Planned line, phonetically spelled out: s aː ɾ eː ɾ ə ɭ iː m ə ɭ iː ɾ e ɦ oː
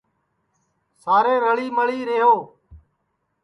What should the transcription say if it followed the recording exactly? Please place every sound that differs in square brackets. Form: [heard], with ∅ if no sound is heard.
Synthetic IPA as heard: s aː ɾ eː ɾ ə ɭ iː m ə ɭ iː ɾ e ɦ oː

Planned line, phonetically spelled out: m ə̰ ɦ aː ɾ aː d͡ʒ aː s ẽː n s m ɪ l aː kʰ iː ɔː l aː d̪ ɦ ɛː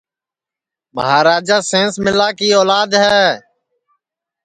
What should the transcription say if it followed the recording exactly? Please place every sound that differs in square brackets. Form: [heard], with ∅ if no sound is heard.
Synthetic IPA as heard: m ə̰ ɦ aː ɾ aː d͡ʒ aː s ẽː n s m ɪ l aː [k] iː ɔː l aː d̪ ɦ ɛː

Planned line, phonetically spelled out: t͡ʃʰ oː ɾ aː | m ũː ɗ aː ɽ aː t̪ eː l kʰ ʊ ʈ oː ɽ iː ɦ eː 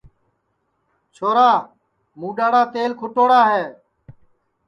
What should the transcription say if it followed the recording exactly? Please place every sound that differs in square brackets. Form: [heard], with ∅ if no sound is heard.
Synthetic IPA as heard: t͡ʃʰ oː ɾ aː | m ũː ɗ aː ɽ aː t̪ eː l kʰ ʊ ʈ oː ɽ [aː] ɦ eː

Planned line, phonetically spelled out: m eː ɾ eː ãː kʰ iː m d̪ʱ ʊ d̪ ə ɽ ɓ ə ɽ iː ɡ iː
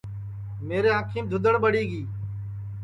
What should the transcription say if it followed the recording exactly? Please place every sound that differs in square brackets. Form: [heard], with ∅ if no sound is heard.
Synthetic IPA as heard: m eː ɾ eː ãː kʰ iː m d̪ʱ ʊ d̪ ə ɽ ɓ ə ɽ iː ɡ iː

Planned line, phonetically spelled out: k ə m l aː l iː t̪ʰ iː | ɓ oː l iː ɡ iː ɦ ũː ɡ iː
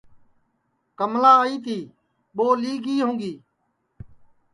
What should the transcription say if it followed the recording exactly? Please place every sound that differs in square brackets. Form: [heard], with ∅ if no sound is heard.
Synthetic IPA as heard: k ə m l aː [∅] iː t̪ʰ iː | ɓ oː l iː ɡ iː ɦ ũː ɡ iː

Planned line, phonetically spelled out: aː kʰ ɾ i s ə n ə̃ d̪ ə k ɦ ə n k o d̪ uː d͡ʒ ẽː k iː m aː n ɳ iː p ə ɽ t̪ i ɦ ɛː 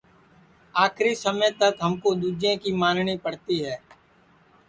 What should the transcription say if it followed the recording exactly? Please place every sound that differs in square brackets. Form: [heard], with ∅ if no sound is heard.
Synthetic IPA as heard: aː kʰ ɾ i s ə [m] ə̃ [t̪] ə k ɦ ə [m] k o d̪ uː d͡ʒ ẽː k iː m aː n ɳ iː p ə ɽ t̪ i ɦ ɛː

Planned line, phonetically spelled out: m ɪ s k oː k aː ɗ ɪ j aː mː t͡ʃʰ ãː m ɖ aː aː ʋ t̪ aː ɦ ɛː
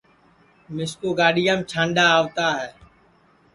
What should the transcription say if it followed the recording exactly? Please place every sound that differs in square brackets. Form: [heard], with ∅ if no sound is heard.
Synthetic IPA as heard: m ɪ s k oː [ɡ] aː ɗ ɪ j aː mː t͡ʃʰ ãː [ɳ] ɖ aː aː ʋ t̪ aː ɦ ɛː

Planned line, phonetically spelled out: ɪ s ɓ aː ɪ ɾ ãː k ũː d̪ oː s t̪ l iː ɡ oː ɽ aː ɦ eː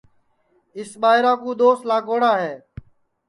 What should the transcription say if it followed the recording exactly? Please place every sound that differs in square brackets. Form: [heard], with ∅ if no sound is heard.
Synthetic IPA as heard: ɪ s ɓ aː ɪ ɾ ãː k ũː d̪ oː s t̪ l [aː] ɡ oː ɽ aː ɦ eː

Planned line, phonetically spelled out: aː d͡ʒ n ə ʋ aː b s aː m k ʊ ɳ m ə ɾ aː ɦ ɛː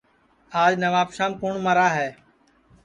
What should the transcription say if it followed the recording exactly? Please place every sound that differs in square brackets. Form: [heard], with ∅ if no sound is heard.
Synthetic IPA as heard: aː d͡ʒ n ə ʋ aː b [ʃ] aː m k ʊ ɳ m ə ɾ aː ɦ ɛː

